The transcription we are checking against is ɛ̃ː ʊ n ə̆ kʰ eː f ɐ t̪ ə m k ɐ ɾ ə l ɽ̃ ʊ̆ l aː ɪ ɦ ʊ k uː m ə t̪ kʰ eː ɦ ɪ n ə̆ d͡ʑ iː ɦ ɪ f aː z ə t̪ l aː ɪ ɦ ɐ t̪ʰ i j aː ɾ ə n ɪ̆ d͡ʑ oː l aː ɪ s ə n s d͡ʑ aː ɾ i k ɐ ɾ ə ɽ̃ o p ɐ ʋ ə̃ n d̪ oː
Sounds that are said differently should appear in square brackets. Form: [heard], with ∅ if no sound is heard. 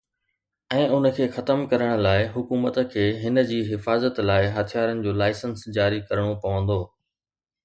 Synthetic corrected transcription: ɛ̃ː ʊ n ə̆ kʰ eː [x] ɐ t̪ ə m k ɐ ɾ ə [∅] ɽ̃ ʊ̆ l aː ɪ ɦ ʊ k uː m ə t̪ kʰ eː ɦ ɪ n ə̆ d͡ʑ iː ɦ ɪ f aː z ə t̪ l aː ɪ ɦ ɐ t̪ʰ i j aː ɾ ə n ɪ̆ d͡ʑ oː l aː ɪ s ə n s d͡ʑ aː ɾ i k ɐ ɾ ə ɽ̃ o p ɐ ʋ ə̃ n d̪ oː